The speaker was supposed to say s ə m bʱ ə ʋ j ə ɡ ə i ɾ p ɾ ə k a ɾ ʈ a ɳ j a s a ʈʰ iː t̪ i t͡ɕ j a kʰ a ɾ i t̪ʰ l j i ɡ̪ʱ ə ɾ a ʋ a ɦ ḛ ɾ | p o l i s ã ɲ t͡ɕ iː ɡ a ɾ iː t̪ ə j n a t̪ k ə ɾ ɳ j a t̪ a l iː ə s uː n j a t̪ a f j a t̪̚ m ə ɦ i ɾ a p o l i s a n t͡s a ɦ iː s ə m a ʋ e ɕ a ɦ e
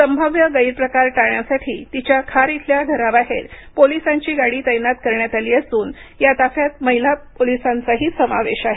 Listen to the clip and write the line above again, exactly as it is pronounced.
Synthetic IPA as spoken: s ə m bʱ ə ʋ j ə ɡ ə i ɾ p ɾ ə k a ɾ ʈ a ɳ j a s a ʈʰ iː t̪ i t͡ɕ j a kʰ a ɾ i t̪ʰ l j a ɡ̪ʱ ə ɾ a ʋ a ɦ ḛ ɾ | p o l i s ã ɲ t͡ɕ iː ɡ a ɽ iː t̪ ə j n a t̪ k ə ɾ ɳ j a t̪ a l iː ə s uː n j a t̪ a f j a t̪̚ m ə ɦ i l a p o l i s a n t͡s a ɦ iː s ə m a ʋ e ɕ a ɦ e